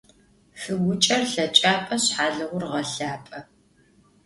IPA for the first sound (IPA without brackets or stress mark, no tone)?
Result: f